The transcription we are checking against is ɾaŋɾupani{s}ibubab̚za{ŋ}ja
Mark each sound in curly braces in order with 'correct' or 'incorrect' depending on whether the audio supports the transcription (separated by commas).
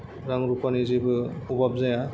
incorrect, incorrect